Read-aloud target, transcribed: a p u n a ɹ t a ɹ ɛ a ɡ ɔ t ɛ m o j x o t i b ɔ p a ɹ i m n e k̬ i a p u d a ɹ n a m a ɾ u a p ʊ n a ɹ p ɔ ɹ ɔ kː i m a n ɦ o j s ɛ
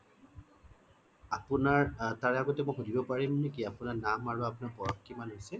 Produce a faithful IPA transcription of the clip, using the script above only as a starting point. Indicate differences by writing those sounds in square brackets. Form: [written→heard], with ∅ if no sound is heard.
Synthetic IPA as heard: a p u n a ɹ t a ɹ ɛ a ɡ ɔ t ɛ m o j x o [t→d] i b ɔ p a ɹ i m n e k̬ i a p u [d→n] a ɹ n a m a [ɾ→ɹ] u a p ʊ n a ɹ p ɔ ɹ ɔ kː i m a n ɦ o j s ɛ